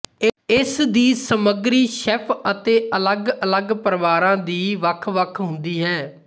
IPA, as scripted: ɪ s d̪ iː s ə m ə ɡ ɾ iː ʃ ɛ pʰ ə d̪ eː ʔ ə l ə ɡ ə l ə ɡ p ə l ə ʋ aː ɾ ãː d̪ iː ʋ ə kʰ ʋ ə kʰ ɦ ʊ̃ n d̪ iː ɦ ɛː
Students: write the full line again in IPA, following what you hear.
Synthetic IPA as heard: ɪ s d̪ iː s ə m ə ɡ ɾ iː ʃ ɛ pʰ ə t̪ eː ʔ ə l ə ɡ ə l ə ɡ p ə ɾ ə ʋ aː ɾ ãː d̪ iː ʋ ə kʰ ʋ ə kʰ ɦ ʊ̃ n d̪ iː ɦ ɛː